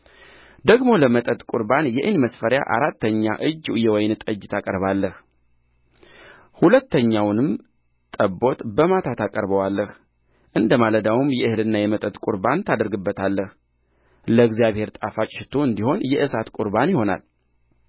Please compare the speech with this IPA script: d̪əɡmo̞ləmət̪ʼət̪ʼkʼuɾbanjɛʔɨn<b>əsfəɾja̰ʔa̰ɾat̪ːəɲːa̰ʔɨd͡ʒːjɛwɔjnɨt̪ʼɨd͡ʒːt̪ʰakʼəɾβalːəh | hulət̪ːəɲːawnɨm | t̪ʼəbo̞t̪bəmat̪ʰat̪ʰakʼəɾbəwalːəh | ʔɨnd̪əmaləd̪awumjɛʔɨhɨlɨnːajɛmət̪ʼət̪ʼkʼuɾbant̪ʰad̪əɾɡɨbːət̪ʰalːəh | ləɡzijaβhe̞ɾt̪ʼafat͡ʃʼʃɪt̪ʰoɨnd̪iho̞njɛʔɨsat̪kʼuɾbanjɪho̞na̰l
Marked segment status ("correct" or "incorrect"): incorrect